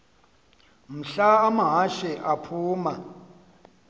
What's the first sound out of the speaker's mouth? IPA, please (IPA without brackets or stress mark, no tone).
m̩